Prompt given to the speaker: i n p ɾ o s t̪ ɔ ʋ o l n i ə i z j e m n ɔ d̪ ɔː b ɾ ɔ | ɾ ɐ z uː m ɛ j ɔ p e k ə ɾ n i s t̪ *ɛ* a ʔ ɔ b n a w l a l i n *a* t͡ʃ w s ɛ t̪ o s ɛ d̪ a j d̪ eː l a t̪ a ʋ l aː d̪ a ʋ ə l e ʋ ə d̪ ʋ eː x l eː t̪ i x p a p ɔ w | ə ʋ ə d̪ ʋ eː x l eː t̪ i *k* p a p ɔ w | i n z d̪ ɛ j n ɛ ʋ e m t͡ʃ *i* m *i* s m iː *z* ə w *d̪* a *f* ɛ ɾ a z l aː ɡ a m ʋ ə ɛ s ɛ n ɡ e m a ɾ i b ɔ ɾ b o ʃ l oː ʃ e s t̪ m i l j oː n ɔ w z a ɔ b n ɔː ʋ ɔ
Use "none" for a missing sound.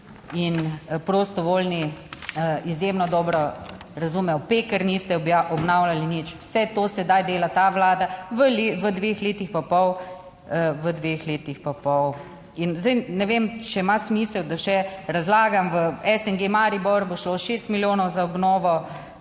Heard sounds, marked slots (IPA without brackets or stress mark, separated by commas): ɛ, i, x, ɛ, a, s, d̪, ʃ